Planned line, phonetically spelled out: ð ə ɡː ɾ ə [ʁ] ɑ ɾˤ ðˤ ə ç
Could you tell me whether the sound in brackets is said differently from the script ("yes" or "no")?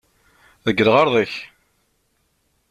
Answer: no